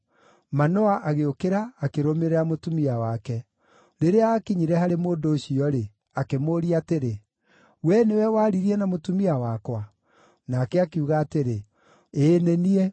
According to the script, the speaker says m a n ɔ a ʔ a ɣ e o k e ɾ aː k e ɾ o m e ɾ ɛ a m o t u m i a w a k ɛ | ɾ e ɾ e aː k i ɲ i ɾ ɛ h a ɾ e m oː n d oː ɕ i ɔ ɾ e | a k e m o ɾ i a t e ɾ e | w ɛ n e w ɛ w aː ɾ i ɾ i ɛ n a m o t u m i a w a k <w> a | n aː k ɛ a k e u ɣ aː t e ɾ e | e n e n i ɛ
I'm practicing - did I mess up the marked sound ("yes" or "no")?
no